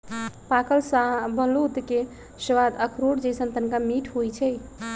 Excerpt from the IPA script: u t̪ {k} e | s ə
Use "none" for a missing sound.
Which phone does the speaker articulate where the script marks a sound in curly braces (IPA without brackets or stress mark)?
k